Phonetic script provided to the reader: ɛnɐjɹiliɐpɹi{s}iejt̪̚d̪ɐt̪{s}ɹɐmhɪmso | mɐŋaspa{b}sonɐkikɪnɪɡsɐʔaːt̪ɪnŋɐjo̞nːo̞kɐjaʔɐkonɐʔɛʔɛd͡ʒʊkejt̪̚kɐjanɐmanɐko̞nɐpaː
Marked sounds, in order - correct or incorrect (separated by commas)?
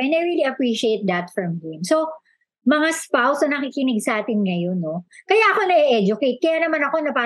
incorrect, incorrect, incorrect